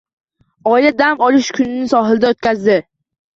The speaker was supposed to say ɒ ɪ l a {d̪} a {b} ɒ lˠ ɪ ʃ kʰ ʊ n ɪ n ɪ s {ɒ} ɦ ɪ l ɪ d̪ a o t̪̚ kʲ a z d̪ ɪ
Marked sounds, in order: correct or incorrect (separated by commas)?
correct, incorrect, correct